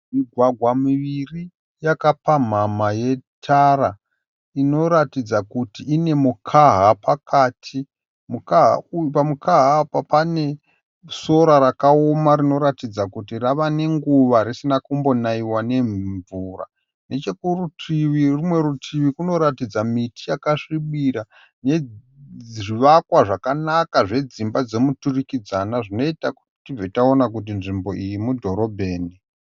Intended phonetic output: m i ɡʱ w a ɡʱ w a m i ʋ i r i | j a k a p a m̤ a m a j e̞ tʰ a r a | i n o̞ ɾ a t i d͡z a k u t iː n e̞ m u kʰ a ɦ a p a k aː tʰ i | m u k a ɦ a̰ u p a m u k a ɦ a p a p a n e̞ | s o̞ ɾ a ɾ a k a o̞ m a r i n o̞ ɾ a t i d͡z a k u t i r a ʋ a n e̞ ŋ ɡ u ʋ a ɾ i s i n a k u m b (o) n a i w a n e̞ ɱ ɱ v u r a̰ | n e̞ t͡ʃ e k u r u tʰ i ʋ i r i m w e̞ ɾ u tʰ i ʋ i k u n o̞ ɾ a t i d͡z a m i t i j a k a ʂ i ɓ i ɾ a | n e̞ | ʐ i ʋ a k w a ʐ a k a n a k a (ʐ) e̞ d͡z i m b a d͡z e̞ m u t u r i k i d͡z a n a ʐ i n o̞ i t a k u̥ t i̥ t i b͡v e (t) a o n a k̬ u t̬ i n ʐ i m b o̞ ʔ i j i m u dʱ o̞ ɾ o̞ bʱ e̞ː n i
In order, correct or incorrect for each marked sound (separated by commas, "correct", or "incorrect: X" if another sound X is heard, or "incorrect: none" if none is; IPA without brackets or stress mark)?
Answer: correct, correct, correct